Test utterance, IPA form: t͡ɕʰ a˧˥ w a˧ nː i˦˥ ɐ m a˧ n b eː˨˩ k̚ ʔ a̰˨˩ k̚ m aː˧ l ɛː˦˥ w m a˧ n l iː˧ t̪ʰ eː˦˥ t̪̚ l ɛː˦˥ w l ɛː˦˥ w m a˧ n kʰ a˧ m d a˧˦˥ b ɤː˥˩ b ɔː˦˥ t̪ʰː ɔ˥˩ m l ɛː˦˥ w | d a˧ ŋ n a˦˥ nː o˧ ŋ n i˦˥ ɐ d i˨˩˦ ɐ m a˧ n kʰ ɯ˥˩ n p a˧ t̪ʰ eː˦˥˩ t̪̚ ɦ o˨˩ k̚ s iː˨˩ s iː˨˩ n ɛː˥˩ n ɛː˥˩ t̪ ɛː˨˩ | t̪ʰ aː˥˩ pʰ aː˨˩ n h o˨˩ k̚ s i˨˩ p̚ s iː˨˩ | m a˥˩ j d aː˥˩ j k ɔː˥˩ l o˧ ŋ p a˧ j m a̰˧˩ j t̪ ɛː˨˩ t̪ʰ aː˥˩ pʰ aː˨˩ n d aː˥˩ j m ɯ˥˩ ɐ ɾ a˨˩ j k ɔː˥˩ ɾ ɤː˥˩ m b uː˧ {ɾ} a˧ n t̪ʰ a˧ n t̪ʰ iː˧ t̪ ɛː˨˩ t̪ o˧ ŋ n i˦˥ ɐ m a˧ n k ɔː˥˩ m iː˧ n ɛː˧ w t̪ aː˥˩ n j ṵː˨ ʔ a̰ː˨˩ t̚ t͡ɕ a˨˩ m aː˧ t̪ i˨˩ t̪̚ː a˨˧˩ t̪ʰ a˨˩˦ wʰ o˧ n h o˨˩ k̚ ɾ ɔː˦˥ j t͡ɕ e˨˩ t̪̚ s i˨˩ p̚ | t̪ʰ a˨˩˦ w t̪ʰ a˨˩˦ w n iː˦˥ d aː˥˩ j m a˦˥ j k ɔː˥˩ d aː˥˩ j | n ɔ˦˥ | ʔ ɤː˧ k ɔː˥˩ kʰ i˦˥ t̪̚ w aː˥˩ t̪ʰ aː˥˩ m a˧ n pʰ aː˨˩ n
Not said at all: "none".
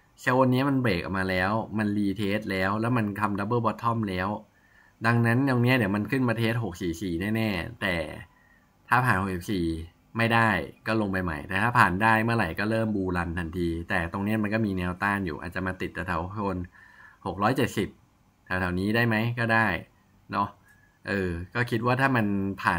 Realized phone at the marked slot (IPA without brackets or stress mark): l